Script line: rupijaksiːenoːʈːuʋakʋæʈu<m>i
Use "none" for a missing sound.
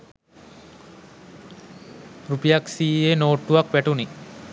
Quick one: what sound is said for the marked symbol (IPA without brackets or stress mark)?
n